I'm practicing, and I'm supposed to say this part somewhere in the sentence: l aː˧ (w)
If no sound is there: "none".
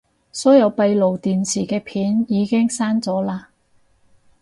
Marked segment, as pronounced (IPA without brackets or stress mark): none